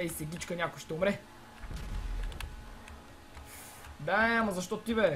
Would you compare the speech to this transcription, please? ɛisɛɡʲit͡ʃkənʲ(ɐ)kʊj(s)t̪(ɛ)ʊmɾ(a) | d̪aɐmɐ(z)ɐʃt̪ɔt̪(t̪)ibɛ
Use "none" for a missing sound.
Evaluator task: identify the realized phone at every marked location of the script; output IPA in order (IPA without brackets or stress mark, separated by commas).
a, ʃ, ɛ, ɛ, z, t̪